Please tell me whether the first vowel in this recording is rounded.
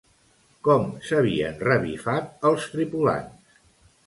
yes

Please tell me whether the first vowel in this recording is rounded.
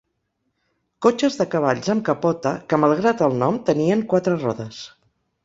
yes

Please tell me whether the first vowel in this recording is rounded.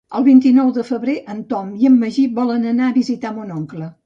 no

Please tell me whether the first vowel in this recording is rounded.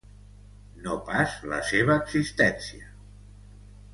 yes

